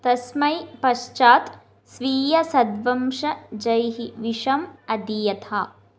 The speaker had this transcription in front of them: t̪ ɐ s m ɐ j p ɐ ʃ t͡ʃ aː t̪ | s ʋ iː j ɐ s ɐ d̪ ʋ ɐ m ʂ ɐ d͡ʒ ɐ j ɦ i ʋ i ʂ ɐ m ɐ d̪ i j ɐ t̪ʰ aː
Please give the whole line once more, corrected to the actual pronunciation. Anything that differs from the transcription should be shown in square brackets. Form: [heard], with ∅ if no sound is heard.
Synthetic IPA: t̪ ɐ s m ɐ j p ɐ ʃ t͡ʃ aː t̪ | s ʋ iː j ɐ s ɐ d̪ ʋ ɐ m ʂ ɐ d͡ʒ ɐ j ɦ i ʋ i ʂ ɐ m ɐ d̪ i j ɐ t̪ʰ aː

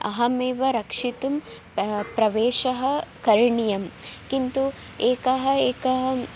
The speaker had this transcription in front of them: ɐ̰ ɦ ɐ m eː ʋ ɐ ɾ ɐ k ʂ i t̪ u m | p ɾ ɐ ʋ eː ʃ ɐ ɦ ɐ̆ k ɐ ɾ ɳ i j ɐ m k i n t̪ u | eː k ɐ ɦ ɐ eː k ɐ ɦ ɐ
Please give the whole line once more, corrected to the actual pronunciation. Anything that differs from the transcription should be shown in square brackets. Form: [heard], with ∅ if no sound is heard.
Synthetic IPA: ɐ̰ ɦ ɐ m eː ʋ ɐ ɾ ɐ k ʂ i t̪ u m | p ɾ ɐ ʋ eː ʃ ɐ ɦ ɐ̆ k ɐ ɾ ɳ i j ɐ m k i n t̪ u | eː k ɐ ɦ ɐ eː k ɐ ɦ ɐ

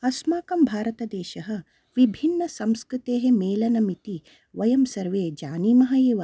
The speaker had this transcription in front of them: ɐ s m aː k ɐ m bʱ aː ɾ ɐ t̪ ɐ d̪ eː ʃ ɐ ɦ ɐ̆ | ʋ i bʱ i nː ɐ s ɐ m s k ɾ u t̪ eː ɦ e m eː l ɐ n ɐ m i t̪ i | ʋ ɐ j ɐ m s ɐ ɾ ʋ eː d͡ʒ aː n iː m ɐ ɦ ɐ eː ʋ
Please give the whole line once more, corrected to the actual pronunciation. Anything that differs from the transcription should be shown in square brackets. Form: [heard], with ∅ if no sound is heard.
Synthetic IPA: ɐ s m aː k ɐ m bʱ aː ɾ ɐ t̪ ɐ d̪ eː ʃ ɐ ɦ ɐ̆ | ʋ i bʱ i nː ɐ s ɐ m s k ɾ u t̪ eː ɦ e m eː l ɐ n ɐ m i t̪ i | ʋ ɐ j ɐ m s ɐ ɾ ʋ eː d͡ʒ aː n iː m ɐ ɦ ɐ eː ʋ

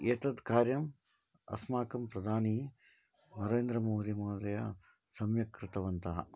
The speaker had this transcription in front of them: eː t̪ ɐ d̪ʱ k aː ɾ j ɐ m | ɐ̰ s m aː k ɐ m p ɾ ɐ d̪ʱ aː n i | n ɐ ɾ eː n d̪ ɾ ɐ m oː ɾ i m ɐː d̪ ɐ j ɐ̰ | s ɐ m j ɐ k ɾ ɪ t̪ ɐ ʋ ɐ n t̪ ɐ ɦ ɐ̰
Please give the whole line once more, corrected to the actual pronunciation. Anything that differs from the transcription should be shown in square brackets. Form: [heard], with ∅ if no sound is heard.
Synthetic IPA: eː t̪ ɐ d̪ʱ k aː ɾ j ɐ m | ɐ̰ s m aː k ɐ m p ɾ ɐ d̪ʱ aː n i | n ɐ ɾ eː n d̪ ɾ ɐ m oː ɾ i m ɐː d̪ ɐ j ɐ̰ | s ɐ m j ɐ k ɾ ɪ t̪ ɐ ʋ ɐ n t̪ ɐ ɦ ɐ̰

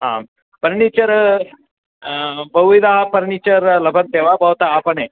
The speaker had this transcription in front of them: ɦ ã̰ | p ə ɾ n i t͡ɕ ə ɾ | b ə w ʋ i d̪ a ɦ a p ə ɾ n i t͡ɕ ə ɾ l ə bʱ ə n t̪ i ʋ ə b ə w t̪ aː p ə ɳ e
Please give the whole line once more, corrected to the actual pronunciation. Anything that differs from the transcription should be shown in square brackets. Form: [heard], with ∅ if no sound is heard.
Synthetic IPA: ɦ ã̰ | p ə ɾ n i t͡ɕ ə ɾ | b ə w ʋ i d̪ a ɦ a p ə ɾ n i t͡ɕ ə ɾ l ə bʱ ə n t̪ [e] ʋ [a] b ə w t̪ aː p ə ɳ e

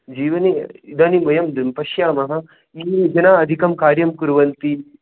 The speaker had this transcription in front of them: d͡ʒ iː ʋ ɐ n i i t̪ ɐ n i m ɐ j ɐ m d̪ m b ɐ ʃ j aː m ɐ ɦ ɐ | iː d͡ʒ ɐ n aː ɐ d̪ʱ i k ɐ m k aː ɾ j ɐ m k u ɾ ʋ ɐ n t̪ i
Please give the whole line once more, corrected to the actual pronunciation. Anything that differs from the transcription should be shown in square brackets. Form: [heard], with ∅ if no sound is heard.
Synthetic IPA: d͡ʒ iː ʋ ɐ n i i [d̪] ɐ n i m ɐ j ɐ m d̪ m [p] ɐ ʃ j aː m ɐ ɦ ɐ | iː d͡ʒ ɐ n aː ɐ d̪ʱ i k ɐ m k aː ɾ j ɐ m k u ɾ ʋ ɐ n t̪ i

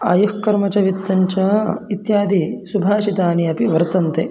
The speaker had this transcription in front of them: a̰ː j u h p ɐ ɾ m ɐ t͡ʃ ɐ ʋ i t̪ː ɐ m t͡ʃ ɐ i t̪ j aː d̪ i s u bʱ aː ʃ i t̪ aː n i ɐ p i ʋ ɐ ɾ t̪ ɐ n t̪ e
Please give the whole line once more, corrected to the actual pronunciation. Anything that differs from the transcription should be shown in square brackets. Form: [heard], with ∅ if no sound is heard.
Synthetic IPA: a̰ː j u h [k] ɐ ɾ m ɐ t͡ʃ ɐ ʋ i t̪ː ɐ [ɲ] t͡ʃ ɐ i t̪ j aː d̪ i s u bʱ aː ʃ i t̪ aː n i ɐ p i ʋ ɐ ɾ t̪ ɐ n t̪ e

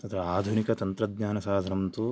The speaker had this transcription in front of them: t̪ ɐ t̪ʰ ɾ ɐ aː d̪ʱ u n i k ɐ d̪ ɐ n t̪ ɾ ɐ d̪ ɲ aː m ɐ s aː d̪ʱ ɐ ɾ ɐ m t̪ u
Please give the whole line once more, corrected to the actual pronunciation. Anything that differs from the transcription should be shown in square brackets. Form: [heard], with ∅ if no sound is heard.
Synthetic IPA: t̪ ɐ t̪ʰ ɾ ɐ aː d̪ʱ u n i k ɐ [t̪] ɐ n t̪ ɾ ɐ d̪ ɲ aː [n] ɐ s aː d̪ʱ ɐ ɾ ɐ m t̪ u

